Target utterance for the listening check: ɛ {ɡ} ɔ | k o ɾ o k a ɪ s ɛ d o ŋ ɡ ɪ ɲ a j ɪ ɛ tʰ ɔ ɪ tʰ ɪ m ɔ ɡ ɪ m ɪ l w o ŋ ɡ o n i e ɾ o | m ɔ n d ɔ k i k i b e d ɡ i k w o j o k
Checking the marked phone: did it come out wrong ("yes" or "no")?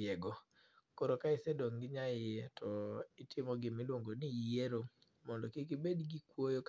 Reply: no